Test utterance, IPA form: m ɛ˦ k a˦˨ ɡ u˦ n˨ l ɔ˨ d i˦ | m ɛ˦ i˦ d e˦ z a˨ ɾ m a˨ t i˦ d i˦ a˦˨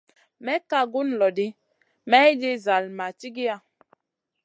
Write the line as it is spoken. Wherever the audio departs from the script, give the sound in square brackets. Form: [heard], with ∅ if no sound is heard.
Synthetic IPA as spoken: m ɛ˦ k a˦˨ ɡ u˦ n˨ l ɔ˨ d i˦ | m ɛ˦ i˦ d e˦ z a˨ [l] m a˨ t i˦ [ɡ] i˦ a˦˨